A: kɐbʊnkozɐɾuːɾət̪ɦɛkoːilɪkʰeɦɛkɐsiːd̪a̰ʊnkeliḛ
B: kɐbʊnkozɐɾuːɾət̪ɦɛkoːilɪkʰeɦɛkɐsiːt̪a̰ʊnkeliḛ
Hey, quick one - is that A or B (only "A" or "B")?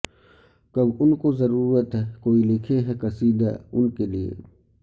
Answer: A